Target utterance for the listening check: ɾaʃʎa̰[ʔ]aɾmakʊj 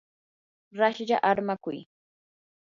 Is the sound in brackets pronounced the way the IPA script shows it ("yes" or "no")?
yes